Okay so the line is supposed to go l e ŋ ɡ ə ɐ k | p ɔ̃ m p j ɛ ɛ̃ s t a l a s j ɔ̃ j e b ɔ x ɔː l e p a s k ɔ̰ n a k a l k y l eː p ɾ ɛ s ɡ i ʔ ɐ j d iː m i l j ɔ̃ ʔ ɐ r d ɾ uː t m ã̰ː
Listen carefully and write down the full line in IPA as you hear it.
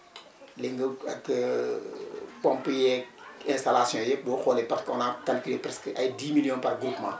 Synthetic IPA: l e ŋ ɡ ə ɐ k | p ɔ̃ m p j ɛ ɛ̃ s t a l a s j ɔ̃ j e b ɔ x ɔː l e p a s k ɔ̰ n a k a l k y l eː p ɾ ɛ s k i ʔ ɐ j d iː m i l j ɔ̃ p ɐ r ɡ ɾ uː p m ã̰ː

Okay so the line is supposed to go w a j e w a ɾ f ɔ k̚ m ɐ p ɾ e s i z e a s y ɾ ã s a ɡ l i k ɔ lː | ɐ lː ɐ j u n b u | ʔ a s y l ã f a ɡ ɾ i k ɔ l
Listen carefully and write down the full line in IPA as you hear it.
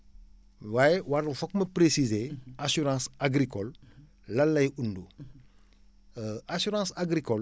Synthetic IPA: w a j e w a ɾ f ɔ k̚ m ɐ p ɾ e s i z e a s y ɾ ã s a ɡ ɾ i k ɔ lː | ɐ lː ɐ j u n d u | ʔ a s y ɾ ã s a ɡ ɾ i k ɔ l

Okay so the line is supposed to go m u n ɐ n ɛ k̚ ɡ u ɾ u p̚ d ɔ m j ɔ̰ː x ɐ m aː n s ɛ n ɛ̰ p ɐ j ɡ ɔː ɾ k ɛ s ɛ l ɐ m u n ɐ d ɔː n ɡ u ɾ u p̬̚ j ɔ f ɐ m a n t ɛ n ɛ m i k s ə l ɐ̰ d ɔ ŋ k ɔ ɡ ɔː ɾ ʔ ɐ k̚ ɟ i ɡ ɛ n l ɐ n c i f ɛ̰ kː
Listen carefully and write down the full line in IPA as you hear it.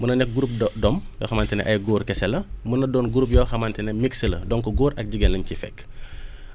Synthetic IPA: m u n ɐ n ɛ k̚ ɡ u ɾ u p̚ d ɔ m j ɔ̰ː x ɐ m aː n t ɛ n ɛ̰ ʔ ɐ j ɡ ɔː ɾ k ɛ s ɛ l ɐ m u n ɐ d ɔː n ɡ u ɾ u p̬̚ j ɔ x ɐ m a n t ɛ n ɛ m i k s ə l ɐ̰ d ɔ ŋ k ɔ ɡ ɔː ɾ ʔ ɐ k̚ ɟ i ɡ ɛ n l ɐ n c i f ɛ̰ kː

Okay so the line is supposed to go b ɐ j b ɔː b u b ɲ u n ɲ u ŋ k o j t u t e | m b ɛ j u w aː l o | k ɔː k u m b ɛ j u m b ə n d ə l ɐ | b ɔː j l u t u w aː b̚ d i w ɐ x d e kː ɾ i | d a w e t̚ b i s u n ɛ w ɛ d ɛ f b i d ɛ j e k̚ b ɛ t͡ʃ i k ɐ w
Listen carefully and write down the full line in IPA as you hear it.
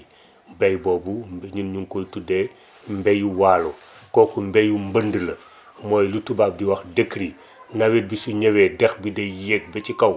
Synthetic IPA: b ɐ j b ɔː b u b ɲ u n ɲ u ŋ k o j t u d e | m b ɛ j u w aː l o | k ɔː k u m b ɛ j u m b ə n d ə l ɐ | m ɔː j l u t u b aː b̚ d i w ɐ x d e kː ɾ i | n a w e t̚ b i s u ɲ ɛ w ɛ d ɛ x b i d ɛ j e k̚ b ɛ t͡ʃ i k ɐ w

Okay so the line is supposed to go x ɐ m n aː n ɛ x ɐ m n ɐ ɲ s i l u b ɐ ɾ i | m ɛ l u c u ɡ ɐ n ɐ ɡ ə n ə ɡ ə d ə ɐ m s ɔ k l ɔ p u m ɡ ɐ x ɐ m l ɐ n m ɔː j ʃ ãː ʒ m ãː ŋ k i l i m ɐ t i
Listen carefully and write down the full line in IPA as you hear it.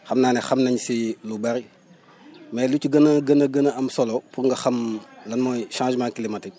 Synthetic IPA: x ɐ m n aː n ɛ x ɐ m n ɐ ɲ s i l u b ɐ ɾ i | m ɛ l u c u ɡ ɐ n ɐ ɡ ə n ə ɡ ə n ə ɐ m s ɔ l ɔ p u ŋ ɡ ɐ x ɐ m l ɐ n m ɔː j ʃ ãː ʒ m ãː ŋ k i l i m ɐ t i

